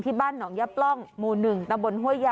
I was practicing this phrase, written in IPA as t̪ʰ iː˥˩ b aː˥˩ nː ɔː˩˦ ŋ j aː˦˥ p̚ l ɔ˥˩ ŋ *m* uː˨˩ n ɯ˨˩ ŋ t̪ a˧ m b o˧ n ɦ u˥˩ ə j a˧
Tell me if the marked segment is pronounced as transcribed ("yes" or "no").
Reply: yes